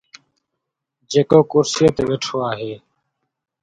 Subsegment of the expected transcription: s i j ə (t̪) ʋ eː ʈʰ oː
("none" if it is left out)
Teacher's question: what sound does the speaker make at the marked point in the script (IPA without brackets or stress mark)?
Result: t̪